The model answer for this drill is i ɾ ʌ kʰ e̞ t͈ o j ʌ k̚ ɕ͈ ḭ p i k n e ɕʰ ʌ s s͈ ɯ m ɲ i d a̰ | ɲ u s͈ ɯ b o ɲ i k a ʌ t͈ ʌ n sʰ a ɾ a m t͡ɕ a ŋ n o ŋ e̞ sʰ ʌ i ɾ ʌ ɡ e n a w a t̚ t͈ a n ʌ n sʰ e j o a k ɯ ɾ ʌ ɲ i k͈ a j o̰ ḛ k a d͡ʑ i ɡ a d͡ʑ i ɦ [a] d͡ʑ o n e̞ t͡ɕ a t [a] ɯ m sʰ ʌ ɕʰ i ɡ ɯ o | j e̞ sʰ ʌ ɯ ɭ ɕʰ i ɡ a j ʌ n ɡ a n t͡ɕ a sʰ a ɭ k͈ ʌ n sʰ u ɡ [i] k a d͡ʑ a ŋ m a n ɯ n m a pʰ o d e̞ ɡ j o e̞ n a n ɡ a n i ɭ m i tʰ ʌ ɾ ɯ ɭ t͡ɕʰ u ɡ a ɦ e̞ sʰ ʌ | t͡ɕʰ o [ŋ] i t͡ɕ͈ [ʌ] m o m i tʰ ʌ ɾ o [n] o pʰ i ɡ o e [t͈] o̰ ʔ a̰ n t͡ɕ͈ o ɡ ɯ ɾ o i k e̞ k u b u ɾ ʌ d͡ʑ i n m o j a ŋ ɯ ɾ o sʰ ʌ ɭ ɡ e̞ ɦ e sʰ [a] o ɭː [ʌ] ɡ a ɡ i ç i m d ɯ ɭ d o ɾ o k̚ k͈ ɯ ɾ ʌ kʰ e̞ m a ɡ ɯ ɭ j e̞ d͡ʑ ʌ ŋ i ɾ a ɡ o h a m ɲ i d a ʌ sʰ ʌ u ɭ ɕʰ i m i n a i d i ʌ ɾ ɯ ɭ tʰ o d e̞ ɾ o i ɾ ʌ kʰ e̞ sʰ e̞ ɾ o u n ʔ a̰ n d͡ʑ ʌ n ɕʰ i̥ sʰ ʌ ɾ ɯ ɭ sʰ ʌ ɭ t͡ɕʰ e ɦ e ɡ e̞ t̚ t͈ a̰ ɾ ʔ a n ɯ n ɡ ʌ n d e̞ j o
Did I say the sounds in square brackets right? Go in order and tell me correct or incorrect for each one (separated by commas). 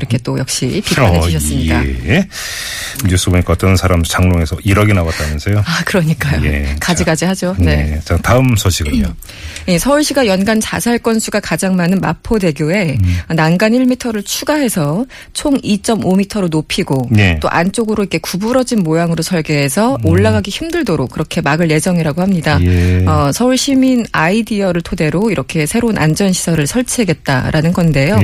correct, correct, incorrect, correct, correct, correct, correct, incorrect, incorrect